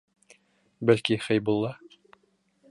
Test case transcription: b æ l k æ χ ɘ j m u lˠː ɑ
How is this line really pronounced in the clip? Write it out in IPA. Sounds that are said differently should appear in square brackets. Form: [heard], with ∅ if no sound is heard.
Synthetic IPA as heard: b æ l k [i] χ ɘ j [b] u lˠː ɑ

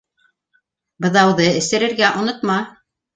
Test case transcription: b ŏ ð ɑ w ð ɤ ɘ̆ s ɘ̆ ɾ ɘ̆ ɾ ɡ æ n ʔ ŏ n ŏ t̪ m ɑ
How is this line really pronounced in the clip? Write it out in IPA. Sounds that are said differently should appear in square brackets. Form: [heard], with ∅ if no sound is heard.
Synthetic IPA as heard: b [ɤ̆] ð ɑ w ð ɤ ɘ̆ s ɘ̆ ɾ ɘ̆ ɾ ɡ æ [∅] ʔ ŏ n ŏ t̪ m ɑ

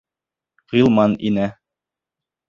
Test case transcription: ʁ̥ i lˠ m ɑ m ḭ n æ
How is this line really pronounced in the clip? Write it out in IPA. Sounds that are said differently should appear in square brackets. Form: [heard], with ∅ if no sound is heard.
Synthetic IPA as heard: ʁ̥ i lˠ m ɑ [n] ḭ n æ

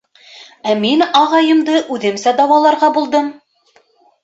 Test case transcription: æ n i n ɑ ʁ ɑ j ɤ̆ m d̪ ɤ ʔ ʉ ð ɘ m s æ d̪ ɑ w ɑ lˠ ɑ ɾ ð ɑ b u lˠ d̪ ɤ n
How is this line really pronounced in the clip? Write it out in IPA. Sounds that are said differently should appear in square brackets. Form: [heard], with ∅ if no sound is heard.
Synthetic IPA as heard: æ [m] i n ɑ ʁ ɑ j ɤ̆ m d̪ ɤ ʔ ʉ ð ɘ m s æ d̪ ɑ w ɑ lˠ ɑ ɾ [ʁ] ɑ b u lˠ d̪ ɤ [m]

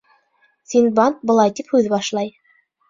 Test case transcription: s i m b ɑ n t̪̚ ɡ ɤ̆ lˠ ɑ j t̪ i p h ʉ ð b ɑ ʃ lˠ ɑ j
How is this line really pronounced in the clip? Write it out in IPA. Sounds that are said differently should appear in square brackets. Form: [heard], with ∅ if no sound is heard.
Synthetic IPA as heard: s i [n] b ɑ n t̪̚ [b] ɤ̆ lˠ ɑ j t̪ i p h ʉ ð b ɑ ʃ lˠ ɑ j

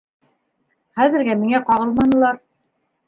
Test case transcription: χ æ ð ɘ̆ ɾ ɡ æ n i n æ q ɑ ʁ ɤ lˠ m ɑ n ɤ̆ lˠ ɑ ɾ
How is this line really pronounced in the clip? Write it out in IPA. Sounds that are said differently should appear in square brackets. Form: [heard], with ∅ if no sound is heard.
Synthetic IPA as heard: χ æ ð ɘ̆ ɾ ɡ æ [m] i [ŋ] æ q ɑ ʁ ɤ lˠ m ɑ n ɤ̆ lˠ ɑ ɾ

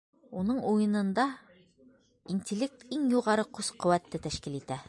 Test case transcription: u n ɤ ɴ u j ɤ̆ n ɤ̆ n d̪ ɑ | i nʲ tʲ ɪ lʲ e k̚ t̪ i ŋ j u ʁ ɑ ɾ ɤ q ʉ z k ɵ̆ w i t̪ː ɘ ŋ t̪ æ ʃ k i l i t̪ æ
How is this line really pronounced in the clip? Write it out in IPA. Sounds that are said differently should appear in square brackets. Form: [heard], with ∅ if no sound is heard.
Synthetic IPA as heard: u n ɤ ɴ u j ɤ̆ n ɤ̆ n d̪ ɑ | i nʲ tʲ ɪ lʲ e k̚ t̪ i ŋ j u ʁ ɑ ɾ ɤ q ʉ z [q] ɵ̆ w [æ] t̪ː ɘ [∅] t̪ æ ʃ k i l i t̪ æ

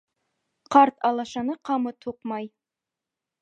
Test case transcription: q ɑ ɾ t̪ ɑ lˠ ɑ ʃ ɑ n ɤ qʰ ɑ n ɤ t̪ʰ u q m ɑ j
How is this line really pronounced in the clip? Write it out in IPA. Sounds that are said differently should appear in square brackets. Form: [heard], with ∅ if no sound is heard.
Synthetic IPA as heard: q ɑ ɾ t̪ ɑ lˠ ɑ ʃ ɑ n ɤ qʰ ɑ [m] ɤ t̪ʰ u q m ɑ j

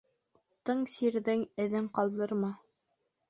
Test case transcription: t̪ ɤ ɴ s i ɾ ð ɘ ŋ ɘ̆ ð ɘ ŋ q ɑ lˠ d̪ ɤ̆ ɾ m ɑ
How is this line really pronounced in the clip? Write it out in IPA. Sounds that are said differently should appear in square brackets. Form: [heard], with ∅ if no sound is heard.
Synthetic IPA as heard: t̪ ɤ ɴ s i ɾ ð ɘ ŋ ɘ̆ ð ɘ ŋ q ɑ lˠ d̪ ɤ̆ ɾ m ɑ

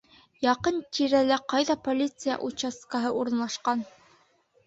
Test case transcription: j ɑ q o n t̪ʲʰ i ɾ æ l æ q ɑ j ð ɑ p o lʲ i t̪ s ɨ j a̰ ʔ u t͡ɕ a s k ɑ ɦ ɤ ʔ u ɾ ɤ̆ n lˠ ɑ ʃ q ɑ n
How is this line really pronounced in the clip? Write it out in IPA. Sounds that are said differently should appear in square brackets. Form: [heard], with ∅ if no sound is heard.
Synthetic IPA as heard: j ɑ q [ɤ] n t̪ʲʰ i ɾ æ l æ q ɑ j ð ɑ p o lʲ i t̪ s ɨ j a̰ ʔ u t͡ɕ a s k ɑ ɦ ɤ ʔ u ɾ ɤ̆ n lˠ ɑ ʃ q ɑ n

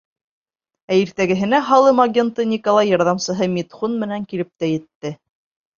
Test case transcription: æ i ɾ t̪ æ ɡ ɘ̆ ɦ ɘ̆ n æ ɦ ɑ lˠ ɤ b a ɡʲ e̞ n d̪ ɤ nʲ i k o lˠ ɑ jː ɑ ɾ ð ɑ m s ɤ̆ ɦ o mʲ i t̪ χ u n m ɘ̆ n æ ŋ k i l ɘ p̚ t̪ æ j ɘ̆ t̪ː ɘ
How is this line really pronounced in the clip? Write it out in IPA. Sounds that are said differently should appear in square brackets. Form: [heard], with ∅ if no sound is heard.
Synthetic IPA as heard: æ i ɾ t̪ æ ɡ ɘ̆ ɦ ɘ̆ n æ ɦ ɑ lˠ ɤ [m] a ɡʲ e̞ n [t̪] ɤ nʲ i k o lˠ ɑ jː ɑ ɾ ð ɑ m s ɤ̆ ɦ [ɤ] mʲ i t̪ χ u n m ɘ̆ n æ ŋ k i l ɘ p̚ t̪ æ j ɘ̆ t̪ː ɘ

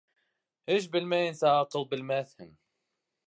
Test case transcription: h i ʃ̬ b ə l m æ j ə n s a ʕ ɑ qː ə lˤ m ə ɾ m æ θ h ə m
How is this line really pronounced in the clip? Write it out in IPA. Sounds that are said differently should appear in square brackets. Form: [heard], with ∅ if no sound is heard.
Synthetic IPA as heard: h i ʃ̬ b ə l m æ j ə n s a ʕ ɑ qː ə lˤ [b] ə [l] m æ θ h ə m

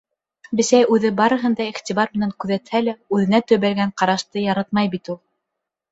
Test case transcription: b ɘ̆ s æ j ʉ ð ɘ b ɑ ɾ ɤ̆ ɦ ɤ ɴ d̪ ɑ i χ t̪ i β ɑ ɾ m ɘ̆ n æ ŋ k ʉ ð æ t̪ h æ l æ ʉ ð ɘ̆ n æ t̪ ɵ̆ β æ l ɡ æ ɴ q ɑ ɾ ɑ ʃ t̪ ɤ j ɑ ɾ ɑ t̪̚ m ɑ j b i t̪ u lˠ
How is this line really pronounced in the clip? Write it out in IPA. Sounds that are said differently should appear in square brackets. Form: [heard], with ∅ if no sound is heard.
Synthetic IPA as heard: b ɘ̆ s æ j ʉ ð ɘ b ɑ ɾ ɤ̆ ɦ ɤ [n] d̪ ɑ i χ t̪ i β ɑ ɾ m ɘ̆ n æ ŋ k ʉ ð æ t̪ h æ l æ ʉ ð ɘ̆ n æ t̪ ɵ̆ β æ l ɡ æ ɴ q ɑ ɾ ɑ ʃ t̪ ɤ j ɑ ɾ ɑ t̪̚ m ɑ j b i t̪ u lˠ

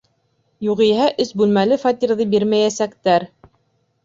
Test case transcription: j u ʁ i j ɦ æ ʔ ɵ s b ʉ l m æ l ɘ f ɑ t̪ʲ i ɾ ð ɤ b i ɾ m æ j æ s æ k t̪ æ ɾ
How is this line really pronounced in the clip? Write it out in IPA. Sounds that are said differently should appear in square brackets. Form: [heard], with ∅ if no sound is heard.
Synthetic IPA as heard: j u ʁ i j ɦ æ ʔ ɵ s b ʉ l m æ l ɘ f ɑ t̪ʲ i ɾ ð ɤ b i ɾ m æ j æ s æ k t̪ æ ɾ

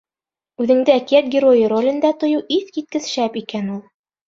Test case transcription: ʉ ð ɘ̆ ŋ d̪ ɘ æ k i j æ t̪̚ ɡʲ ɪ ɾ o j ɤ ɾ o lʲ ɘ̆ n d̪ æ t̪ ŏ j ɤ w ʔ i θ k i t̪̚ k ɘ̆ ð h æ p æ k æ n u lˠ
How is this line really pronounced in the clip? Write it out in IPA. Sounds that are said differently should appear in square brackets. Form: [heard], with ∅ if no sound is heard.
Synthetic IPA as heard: ʉ ð ɘ̆ ŋ d̪ ɘ æ k i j æ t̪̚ ɡʲ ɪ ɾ o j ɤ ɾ o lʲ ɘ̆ n d̪ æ t̪ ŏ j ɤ w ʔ i θ k i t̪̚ k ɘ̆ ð [ʃ] æ p [i] k æ n u lˠ

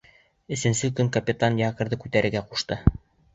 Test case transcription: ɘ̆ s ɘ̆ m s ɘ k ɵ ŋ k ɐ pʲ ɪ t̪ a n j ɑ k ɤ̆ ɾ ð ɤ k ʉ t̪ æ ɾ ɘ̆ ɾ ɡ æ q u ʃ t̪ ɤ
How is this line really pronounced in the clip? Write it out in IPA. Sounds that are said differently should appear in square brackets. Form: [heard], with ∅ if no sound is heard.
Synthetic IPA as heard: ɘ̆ s ɘ̆ [n] s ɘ k ɵ ŋ k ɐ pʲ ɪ t̪ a n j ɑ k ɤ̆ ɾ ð ɤ k ʉ t̪ æ ɾ ɘ̆ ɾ ɡ æ q u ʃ t̪ ɤ

